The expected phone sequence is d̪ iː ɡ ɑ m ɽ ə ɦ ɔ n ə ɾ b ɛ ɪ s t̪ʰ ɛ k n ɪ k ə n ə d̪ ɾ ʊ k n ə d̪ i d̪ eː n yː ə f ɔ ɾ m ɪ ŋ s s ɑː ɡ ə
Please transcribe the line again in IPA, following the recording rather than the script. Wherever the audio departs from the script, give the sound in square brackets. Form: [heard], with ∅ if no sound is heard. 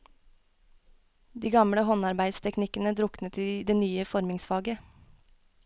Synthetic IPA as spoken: d̪ iː ɡ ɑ m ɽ ə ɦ ɔ n [ɑ] ɾ b [æ] ɪ s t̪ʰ ɛ k n ɪ k ə n ə d̪ ɾ ʊ k n ə [t̪] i d̪ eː n yː ə f ɔ ɾ m ɪ ŋ s [f] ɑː ɡ ə